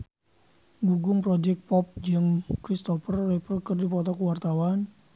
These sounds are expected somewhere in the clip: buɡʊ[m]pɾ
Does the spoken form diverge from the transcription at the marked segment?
yes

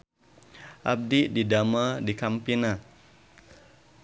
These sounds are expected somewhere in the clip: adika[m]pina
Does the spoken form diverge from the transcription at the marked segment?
no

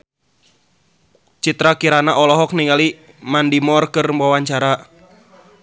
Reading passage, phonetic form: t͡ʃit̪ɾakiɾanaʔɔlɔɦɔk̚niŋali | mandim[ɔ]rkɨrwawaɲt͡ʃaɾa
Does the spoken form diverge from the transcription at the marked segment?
no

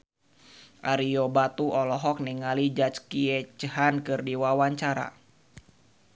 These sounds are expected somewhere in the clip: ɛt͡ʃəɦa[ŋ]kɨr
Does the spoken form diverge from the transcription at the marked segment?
yes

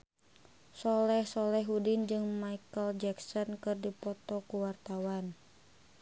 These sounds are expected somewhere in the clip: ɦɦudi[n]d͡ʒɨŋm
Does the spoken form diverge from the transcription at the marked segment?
no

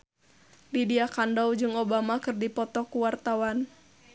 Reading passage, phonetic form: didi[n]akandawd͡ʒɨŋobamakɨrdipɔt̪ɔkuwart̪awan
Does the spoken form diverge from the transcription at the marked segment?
yes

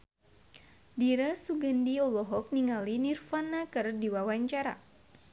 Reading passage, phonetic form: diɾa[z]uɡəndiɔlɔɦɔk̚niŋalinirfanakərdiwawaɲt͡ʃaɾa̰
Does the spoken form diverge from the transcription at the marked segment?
yes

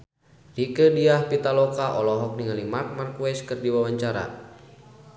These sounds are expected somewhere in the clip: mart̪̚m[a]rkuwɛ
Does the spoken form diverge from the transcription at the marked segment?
no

